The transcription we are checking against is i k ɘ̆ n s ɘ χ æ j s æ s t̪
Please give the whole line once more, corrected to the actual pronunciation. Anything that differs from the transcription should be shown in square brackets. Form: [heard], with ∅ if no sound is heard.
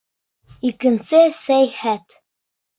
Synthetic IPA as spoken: i k ɘ̆ n s ɘ [s] æ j [h] æ [∅] t̪